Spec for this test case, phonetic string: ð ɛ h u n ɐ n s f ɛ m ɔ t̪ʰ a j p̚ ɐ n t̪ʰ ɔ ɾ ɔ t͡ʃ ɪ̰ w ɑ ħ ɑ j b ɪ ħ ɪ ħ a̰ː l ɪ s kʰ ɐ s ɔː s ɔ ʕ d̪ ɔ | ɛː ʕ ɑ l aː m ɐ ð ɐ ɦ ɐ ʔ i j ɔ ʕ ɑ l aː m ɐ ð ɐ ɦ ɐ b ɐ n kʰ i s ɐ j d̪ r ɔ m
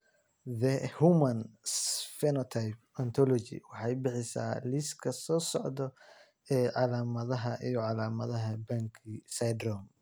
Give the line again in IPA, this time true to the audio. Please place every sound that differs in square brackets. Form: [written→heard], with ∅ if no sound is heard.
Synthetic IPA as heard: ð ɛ h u [n→m] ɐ n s f ɛ [m→n] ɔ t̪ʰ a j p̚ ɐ n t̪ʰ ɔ [ɾ→l] ɔ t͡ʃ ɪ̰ w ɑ ħ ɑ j b ɪ ħ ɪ [ħ→s] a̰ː l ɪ s kʰ ɐ s ɔː s ɔ ʕ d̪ ɔ | ɛː ʕ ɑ l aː m ɐ ð ɐ ɦ ɐ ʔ i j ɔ ʕ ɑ l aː m ɐ ð ɐ ɦ ɐ b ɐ [n→ŋ] kʰ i s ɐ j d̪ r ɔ m